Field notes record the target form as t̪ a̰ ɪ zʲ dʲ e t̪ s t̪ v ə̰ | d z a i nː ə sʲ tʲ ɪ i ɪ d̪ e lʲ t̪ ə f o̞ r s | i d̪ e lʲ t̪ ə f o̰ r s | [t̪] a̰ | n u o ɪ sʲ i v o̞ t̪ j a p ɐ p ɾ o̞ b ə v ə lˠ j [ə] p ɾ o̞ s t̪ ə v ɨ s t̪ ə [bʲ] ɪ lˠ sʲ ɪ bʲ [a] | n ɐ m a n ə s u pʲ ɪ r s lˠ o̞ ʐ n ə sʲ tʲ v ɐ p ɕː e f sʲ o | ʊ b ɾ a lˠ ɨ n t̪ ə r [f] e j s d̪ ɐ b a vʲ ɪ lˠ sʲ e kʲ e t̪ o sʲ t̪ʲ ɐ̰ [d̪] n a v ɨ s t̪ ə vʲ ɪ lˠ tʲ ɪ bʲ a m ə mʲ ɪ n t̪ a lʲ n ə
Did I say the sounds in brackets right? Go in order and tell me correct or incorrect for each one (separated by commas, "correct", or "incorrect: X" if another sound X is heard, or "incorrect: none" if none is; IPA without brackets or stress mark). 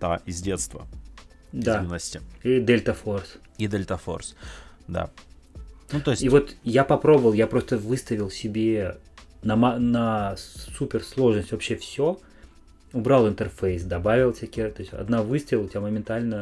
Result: incorrect: d̪, incorrect: a, incorrect: vʲ, incorrect: e, correct, correct